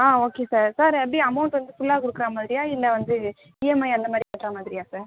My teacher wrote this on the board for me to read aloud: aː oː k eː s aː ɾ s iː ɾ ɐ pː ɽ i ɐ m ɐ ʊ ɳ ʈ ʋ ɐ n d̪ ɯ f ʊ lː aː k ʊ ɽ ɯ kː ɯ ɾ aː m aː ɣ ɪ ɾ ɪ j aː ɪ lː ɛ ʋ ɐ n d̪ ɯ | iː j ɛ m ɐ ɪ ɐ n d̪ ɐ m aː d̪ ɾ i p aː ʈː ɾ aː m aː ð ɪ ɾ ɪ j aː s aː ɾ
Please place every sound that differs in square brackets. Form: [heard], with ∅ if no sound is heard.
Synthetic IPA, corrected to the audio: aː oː k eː s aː ɾ s [aː] ɾ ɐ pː ɽ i ɐ m ɐ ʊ ɳ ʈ ʋ ɐ n d̪ ɯ f ʊ lː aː k ʊ ɽ ɯ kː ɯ ɾ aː m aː [ð] ɪ ɾ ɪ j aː ɪ lː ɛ ʋ ɐ n d̪ ɯ | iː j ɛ m ɐ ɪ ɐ n d̪ ɐ m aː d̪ ɾ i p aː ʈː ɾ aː m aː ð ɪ ɾ ɪ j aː s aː ɾ